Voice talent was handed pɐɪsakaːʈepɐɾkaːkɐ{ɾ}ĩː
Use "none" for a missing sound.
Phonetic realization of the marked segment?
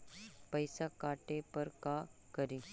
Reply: ɾ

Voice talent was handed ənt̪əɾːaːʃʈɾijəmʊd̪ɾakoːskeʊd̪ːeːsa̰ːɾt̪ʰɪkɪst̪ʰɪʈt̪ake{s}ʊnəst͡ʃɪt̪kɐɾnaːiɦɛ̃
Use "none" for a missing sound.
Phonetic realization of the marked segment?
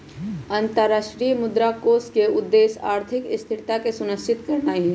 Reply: s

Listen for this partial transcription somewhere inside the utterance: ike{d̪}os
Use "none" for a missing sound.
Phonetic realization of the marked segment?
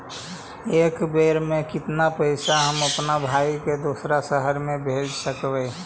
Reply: d̪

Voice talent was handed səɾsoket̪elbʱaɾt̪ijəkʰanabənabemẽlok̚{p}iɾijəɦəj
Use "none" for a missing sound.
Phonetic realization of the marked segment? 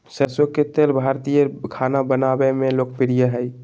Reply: p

